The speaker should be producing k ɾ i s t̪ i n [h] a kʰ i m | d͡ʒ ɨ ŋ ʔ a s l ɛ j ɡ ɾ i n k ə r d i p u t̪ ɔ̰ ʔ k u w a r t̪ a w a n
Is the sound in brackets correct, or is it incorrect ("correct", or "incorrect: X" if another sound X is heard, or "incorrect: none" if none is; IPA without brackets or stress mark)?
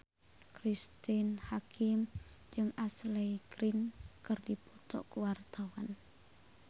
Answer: correct